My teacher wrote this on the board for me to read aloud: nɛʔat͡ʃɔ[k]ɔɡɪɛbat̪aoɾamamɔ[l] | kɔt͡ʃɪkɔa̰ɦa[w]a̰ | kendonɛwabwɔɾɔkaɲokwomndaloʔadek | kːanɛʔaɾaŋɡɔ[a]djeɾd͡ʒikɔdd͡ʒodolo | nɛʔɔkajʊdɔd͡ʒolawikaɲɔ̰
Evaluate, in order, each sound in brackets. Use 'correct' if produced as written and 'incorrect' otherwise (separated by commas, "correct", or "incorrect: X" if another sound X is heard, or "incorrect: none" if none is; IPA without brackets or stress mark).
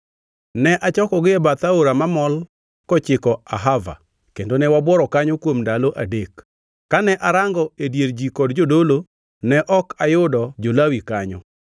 correct, correct, incorrect: v, incorrect: e